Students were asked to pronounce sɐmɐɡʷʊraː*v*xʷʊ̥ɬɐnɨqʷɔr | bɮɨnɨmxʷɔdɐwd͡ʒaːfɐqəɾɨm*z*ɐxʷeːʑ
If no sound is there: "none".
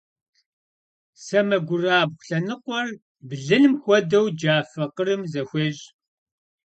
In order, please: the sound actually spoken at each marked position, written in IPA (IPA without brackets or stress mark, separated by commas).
b, z